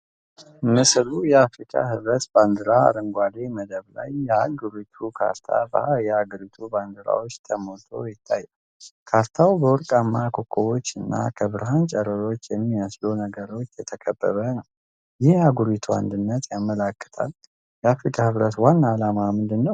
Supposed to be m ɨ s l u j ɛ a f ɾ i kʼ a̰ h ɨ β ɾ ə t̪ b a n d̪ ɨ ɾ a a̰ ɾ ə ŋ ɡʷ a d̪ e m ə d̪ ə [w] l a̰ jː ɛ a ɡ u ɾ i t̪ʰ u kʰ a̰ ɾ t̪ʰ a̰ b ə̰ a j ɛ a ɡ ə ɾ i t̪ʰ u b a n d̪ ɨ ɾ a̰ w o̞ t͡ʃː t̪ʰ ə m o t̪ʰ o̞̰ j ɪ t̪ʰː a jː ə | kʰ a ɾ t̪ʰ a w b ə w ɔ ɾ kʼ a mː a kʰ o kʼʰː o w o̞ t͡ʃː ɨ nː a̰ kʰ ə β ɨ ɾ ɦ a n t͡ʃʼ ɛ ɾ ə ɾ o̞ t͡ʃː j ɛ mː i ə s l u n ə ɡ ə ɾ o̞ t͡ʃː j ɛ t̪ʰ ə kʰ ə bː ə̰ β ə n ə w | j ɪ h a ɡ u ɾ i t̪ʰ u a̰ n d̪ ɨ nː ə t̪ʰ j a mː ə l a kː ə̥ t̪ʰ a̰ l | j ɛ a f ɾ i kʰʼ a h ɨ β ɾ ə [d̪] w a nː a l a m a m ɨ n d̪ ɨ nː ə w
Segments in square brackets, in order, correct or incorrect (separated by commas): incorrect, incorrect